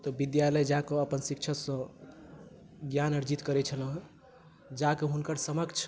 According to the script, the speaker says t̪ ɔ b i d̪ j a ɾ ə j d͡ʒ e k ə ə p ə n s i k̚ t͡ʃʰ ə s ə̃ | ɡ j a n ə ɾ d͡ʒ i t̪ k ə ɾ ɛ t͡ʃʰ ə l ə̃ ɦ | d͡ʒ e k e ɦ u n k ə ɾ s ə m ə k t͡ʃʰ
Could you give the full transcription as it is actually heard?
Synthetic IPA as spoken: t̪ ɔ b i d̪ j a l ə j d͡ʒ a k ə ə p ə n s i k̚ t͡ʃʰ ə s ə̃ | ɡ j a n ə ɾ d͡ʒ i t̪ k ə ɾ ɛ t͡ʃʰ ə l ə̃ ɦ | d͡ʒ a k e ɦ u n k ə ɾ s ə m ə k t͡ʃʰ